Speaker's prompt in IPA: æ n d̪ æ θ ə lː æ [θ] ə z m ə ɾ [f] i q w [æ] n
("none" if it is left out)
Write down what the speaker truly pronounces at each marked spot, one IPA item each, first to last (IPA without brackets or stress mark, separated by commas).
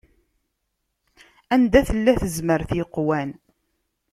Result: θ, θ, æ